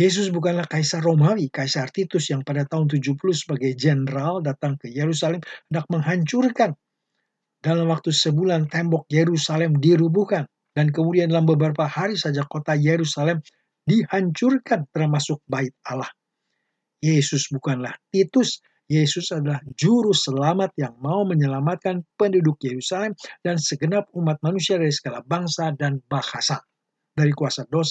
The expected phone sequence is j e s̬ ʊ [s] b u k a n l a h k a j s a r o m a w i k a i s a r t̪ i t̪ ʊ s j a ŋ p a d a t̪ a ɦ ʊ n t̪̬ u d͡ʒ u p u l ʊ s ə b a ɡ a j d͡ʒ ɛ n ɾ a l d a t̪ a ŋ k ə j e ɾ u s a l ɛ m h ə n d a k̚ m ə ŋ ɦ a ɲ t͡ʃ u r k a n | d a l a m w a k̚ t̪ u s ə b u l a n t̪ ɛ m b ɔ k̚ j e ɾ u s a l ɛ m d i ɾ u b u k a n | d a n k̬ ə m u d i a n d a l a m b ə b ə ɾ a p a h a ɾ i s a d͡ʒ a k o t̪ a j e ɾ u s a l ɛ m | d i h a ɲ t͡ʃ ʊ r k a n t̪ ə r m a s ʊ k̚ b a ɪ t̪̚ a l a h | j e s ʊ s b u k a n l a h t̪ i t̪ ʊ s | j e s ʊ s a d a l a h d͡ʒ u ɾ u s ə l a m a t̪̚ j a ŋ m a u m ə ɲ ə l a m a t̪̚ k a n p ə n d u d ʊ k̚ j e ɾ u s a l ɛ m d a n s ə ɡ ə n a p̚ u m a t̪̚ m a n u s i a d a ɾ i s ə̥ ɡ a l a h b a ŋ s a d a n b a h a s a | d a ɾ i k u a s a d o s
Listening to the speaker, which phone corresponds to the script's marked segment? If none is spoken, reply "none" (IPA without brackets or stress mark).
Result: s